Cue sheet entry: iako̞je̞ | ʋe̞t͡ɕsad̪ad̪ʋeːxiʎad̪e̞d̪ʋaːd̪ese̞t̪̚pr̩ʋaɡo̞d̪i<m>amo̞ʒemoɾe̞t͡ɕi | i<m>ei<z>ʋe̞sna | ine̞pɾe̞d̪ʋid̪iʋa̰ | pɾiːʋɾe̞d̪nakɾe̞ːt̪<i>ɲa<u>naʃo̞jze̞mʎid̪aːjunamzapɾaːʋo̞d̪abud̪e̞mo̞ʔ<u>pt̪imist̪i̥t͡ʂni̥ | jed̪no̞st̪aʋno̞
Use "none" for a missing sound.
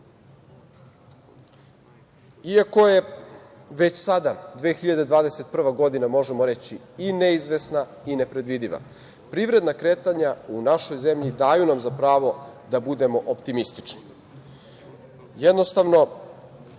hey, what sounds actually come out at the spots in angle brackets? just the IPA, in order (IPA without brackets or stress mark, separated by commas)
n, n, z, a, u, o